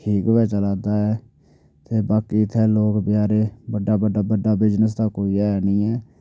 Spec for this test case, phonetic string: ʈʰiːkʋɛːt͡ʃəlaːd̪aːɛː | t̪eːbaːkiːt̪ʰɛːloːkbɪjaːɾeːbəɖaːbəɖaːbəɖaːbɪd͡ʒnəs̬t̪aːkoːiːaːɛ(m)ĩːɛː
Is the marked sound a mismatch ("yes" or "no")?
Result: yes